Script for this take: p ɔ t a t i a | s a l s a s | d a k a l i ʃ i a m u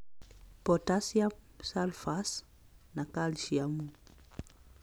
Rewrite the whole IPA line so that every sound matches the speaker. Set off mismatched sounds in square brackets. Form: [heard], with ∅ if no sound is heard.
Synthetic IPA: p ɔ t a [s] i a | s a l [f] a s | [n] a k a l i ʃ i a m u